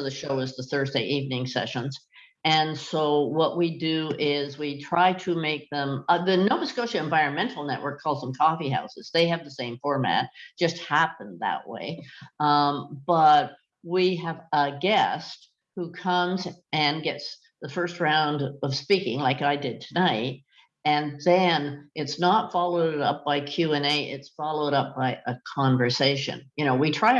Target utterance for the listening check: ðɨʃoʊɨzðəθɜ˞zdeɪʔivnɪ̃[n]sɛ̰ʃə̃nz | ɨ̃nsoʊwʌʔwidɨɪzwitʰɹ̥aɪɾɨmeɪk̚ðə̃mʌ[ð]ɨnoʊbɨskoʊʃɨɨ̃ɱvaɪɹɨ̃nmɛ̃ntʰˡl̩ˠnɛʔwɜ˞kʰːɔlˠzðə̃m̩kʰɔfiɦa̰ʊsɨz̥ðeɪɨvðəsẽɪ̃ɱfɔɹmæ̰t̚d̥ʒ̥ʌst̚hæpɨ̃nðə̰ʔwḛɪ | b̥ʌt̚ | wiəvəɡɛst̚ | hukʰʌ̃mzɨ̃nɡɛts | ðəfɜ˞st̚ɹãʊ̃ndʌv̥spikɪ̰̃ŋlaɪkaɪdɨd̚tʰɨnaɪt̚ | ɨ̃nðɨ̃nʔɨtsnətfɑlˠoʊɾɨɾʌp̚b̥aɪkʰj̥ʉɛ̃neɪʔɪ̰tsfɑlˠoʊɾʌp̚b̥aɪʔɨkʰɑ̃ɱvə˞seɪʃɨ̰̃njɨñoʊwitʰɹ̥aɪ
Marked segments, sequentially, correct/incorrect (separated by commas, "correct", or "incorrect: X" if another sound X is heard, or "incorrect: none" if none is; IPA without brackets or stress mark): incorrect: ŋ, correct